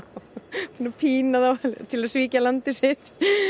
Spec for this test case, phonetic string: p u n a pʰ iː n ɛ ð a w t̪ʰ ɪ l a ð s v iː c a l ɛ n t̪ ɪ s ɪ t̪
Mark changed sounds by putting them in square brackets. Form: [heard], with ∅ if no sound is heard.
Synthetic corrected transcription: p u n a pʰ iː n [a] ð a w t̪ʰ ɪ l a ð s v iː c a l [a] n t̪ ɪ s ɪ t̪

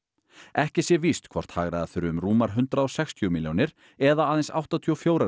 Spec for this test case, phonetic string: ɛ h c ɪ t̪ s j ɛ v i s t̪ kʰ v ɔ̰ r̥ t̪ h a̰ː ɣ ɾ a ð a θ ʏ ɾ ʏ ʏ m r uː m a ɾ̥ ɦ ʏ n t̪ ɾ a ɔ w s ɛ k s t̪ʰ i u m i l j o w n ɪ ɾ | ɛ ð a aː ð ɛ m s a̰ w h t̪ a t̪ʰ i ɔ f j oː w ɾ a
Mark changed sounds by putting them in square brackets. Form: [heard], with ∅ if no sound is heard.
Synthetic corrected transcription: ɛ h c ɪ [∅] s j ɛ v i s t̪ kʰ v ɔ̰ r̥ t̪ h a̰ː ɣ ɾ a ð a θ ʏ ɾ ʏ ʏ m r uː m a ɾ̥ ɦ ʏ n t̪ ɾ a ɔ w s ɛ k s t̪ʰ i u m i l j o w n ɪ ɾ | ɛ ð a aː ð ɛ [n] s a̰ w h t̪ a t̪ʰ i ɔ f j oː w ɾ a

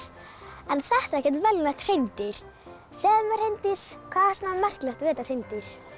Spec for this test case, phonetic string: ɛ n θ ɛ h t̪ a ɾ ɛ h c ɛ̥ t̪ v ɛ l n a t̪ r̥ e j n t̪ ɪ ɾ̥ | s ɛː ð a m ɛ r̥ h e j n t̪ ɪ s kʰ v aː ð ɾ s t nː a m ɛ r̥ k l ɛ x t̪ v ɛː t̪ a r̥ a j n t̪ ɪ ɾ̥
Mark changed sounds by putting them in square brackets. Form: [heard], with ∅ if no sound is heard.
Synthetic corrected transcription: ɛ n θ ɛ h t̪ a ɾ ɛ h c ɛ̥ t̪ v ɛ l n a t̪ r̥ e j n t̪ ɪ ɾ̥ | s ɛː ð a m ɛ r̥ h e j n t̪ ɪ s kʰ v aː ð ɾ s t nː a m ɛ r̥ k l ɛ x t̪ v ɛː t̪ a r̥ [e] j n t̪ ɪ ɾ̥

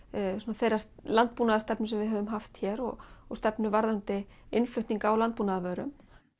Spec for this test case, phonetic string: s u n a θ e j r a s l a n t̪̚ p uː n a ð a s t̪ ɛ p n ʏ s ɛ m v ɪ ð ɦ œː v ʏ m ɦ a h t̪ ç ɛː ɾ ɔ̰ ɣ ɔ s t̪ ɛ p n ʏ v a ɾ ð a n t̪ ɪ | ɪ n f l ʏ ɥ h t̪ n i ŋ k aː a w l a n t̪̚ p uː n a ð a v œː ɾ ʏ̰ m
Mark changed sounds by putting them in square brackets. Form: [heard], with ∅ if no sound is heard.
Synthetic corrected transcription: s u n a θ e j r a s l a n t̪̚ p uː n a ð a s t̪ ɛ p n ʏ s ɛ m v ɪ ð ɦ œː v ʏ m ɦ a [f] t̪ ç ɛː ɾ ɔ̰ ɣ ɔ s t̪ ɛ p n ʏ v a ɾ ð a n t̪ ɪ | ɪ n f l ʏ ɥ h t̪ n i ŋ k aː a w l a n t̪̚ p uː n a ð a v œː ɾ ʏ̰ m

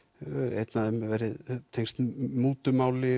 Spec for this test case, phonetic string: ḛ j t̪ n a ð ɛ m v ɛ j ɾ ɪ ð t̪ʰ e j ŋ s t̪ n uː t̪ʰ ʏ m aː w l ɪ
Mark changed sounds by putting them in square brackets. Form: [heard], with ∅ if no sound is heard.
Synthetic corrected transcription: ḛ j t̪ n a ð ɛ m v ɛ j ɾ ɪ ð t̪ʰ e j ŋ s t̪ [m] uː [t̪] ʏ m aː w l ɪ

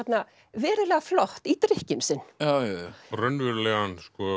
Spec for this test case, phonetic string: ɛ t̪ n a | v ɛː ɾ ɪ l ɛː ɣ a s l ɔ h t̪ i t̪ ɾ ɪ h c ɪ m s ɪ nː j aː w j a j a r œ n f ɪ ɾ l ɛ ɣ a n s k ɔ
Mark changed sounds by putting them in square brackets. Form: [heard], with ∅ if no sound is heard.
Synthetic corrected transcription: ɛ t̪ n a | v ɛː ɾ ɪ l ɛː ɣ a [f] l ɔ h t̪ i t̪ ɾ ɪ h c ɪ m s ɪ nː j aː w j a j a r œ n [v] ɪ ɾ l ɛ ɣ a n s k ɔ

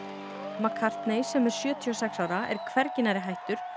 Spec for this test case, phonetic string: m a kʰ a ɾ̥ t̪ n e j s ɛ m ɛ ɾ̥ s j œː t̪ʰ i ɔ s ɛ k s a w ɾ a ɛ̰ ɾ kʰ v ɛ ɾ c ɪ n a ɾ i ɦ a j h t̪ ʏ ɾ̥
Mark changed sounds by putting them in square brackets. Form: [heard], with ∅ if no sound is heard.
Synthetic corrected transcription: m a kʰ a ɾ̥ t̪ n e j s ɛ m ɛ ɾ̥ s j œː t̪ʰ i ɔ s ɛ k s a w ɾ a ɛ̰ ɾ kʰ v ɛ ɾ c ɪ n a ɾ [ɪ] ɦ a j h t̪ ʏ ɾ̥

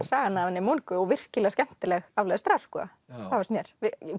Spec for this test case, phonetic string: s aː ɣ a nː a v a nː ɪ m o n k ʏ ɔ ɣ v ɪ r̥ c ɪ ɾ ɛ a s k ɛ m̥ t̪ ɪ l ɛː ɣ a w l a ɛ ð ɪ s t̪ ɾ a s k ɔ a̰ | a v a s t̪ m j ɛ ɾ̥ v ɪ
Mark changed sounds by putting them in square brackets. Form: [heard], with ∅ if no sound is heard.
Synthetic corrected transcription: s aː ɣ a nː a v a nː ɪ m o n k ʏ ɔ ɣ v ɪ r̥ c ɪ [l] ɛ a s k ɛ m̥ t̪ ɪ l [ɛ] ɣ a [v] l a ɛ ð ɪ s t̪ ɾ a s k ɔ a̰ | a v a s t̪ m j ɛ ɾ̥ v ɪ

